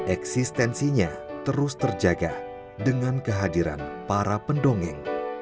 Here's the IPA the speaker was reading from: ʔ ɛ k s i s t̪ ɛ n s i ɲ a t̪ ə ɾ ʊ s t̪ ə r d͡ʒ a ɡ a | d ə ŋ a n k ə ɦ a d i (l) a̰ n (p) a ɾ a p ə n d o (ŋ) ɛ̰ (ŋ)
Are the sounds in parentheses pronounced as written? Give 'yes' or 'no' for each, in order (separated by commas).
no, yes, yes, yes